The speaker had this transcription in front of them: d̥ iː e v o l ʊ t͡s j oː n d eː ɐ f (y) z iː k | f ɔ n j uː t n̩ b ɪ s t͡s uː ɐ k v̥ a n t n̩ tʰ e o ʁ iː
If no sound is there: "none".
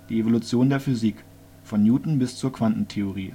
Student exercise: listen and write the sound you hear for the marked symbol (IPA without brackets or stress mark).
y